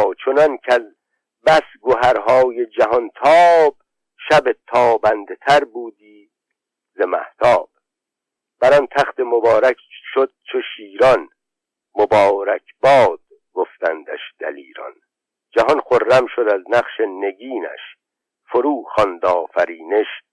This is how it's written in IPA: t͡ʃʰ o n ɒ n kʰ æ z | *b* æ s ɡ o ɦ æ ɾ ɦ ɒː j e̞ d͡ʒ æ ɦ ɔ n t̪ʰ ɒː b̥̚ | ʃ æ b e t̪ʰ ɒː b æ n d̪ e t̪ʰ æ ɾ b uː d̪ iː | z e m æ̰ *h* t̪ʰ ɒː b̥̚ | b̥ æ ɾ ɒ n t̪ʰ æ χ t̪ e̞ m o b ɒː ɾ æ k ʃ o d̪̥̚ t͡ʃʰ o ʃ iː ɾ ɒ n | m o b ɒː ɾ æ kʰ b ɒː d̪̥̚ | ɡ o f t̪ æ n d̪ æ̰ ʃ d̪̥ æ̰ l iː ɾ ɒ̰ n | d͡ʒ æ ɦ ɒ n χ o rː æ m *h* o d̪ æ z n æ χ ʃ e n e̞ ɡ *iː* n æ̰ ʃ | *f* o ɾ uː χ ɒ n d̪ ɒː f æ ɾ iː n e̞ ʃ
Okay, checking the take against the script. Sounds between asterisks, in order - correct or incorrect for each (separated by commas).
correct, correct, incorrect, correct, correct